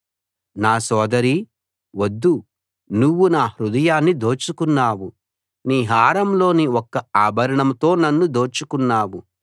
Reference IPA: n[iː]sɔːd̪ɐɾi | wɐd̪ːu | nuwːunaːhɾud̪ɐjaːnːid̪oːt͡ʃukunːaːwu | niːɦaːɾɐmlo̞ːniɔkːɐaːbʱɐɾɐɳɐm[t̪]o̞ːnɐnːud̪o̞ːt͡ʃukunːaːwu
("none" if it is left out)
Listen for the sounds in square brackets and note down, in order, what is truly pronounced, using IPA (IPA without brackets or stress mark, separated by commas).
aː, t̪